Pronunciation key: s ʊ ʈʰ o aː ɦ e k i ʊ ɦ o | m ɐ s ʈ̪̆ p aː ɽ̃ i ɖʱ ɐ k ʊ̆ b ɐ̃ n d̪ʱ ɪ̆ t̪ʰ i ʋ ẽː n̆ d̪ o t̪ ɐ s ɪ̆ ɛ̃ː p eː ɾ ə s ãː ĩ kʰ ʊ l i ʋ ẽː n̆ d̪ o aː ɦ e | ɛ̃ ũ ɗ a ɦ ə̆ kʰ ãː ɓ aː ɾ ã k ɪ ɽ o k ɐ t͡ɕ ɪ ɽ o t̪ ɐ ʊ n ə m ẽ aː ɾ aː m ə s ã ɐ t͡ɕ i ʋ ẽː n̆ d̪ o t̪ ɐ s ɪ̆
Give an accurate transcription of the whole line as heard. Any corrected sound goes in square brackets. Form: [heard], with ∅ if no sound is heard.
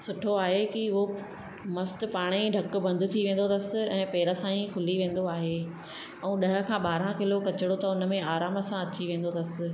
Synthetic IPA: s ʊ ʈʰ o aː ɦ e k i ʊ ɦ o | m ɐ s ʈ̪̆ p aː ɽ̃ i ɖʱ ɐ k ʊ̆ b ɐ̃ n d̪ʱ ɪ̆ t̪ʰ i ʋ ẽː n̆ d̪ o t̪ ɐ s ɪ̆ ɛ̃ː p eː ɾ ə s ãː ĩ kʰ ʊ l i ʋ ẽː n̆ d̪ o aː ɦ e | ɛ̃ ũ ɗ [ɐ] ɦ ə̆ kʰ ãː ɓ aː ɾ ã k ɪ [l] o k ɐ t͡ɕ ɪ ɽ o t̪ ɐ ʊ n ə m ẽ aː ɾ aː m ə s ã ɐ t͡ɕ i ʋ ẽː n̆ d̪ o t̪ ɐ s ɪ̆